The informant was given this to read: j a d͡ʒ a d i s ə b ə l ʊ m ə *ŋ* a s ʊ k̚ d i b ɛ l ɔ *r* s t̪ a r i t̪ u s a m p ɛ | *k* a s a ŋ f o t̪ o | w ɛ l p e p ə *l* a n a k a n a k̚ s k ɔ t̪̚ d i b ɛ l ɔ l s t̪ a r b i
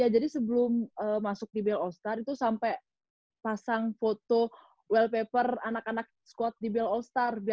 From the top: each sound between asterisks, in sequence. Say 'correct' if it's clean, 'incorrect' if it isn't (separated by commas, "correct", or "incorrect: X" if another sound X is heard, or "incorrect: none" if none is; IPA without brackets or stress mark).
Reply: incorrect: m, incorrect: l, incorrect: p, incorrect: r